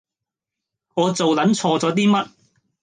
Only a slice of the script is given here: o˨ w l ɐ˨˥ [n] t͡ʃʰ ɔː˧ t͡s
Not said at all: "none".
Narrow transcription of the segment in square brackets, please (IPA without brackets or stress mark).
n